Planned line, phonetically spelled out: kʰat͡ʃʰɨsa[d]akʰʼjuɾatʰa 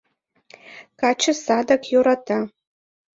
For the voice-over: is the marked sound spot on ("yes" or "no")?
yes